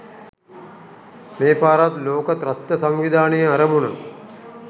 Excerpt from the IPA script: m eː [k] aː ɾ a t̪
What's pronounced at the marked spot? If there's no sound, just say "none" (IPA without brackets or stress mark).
p